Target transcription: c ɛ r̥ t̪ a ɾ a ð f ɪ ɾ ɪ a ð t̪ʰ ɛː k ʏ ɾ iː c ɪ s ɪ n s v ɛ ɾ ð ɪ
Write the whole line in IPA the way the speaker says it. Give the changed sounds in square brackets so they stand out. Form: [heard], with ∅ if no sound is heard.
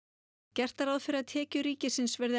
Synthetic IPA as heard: c ɛ r̥ t̪ a ɾ a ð f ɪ ɾ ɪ a ð t̪ʰ ɛː [c] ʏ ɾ iː c ɪ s ɪ n s v ɛ ɾ ð ɪ